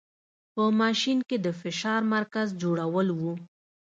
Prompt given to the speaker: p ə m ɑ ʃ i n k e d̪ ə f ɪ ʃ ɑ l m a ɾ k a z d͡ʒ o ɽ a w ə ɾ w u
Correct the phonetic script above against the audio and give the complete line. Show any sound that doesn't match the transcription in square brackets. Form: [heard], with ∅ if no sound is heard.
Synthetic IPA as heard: p ə m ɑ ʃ i n k e d̪ ə f ɪ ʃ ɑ [ɾ] m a ɾ k a z d͡ʒ o ɽ a w ə [l] w u